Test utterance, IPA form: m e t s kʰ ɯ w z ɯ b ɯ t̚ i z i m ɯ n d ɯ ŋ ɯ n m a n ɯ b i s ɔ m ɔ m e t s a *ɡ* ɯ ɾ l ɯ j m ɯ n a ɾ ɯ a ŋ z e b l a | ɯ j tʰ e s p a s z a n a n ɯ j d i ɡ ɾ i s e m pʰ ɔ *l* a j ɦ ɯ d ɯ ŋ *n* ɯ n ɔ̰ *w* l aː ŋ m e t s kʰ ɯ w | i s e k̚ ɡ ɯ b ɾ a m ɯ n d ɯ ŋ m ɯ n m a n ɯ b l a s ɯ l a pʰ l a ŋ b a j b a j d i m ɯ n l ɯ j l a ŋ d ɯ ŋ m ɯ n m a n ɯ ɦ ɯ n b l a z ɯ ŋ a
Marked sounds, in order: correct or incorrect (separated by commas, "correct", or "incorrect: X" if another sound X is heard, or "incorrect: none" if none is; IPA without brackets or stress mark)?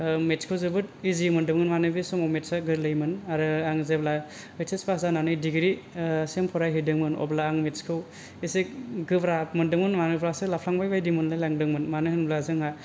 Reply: correct, incorrect: ɾ, incorrect: m, incorrect: b